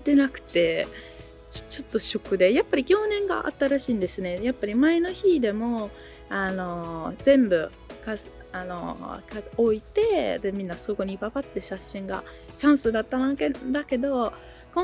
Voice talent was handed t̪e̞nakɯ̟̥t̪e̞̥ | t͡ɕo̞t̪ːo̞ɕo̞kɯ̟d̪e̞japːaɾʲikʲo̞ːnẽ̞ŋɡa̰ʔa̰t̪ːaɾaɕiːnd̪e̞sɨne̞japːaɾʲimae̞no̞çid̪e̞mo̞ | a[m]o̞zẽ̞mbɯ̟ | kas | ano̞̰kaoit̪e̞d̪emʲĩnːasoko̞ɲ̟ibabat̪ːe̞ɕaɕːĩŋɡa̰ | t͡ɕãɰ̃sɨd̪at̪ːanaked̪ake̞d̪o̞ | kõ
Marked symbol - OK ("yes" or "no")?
no